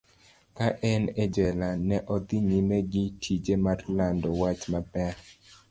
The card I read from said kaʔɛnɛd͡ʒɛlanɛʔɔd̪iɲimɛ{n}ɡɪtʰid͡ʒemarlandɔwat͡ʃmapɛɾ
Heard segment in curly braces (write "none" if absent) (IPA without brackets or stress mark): none